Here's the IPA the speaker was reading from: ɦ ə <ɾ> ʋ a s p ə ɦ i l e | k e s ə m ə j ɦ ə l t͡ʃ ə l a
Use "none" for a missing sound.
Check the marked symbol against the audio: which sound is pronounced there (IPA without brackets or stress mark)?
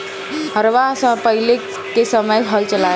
ɾ